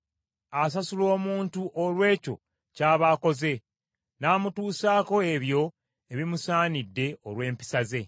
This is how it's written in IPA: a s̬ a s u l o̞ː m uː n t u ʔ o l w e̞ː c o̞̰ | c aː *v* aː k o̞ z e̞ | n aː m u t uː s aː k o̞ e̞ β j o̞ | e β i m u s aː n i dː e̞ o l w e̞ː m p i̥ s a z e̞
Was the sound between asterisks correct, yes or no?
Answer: no